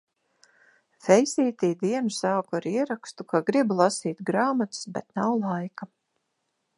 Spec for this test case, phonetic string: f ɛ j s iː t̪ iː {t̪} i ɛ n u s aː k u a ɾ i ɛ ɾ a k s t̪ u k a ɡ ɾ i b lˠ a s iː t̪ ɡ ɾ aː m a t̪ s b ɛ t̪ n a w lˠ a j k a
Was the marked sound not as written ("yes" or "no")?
yes